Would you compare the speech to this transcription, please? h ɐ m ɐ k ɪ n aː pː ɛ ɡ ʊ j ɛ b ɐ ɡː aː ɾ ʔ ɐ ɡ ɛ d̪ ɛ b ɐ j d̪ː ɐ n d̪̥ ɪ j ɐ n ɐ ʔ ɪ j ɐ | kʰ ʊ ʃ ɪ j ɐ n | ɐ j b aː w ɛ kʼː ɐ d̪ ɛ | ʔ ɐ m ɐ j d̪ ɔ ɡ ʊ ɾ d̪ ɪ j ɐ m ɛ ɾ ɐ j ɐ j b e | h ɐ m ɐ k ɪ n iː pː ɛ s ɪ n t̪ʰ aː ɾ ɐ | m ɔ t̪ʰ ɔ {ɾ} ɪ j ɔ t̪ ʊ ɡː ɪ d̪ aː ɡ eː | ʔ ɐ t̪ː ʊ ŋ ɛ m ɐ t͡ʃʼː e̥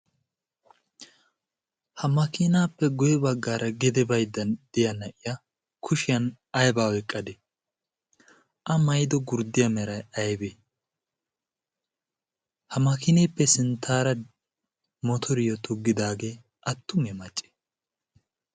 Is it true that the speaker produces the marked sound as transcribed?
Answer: yes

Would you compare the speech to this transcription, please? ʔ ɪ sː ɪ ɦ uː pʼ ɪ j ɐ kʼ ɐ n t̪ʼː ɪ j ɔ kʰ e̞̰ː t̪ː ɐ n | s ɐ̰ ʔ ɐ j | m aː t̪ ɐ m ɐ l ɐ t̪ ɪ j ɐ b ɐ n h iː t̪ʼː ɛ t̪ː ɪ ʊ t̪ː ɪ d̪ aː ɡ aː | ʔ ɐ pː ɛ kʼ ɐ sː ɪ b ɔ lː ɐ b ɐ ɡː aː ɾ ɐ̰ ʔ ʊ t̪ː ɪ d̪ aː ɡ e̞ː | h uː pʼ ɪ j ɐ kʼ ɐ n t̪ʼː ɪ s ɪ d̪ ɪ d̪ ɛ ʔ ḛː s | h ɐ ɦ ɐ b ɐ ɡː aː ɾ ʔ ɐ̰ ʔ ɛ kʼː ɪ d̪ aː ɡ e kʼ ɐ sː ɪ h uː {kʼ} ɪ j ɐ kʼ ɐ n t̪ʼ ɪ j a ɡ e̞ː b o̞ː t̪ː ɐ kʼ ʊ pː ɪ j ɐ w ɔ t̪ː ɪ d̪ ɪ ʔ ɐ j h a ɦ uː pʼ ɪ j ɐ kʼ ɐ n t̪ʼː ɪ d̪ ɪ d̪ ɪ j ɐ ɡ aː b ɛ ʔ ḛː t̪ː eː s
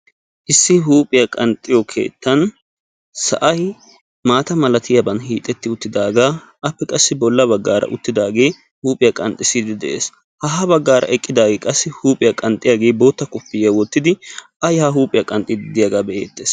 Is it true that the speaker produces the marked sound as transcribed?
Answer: no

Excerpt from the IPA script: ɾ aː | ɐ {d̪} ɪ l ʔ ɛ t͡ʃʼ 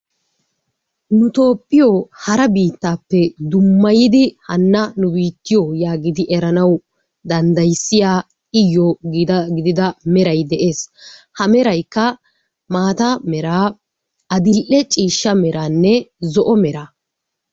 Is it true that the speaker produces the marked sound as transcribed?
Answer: yes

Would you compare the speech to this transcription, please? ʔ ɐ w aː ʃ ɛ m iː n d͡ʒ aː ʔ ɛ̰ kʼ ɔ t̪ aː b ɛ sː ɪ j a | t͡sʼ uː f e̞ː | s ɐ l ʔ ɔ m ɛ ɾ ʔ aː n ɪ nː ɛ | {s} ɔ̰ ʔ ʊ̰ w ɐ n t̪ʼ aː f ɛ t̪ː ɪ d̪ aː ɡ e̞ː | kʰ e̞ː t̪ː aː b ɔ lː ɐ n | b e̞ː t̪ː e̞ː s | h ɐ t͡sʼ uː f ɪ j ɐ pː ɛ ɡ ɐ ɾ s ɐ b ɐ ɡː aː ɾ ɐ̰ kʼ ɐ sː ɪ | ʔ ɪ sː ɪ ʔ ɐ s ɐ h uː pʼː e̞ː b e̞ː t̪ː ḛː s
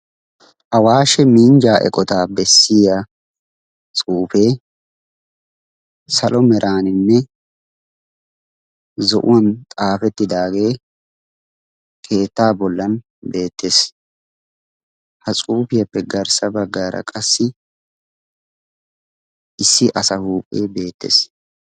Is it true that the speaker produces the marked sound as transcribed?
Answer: no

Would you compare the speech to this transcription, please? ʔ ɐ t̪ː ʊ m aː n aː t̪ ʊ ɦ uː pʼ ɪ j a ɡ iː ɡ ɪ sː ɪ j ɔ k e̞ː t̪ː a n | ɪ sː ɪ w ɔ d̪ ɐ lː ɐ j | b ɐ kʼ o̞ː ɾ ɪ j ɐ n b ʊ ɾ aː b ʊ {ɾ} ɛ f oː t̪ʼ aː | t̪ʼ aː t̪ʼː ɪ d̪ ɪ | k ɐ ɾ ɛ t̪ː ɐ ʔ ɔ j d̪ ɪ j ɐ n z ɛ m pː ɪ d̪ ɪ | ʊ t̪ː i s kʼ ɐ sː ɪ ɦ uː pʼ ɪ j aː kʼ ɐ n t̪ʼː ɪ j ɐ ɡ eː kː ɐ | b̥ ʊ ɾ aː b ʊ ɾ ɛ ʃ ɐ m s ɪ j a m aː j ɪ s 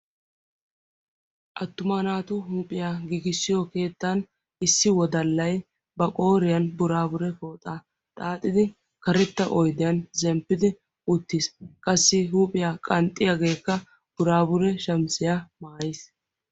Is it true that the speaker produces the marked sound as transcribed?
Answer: yes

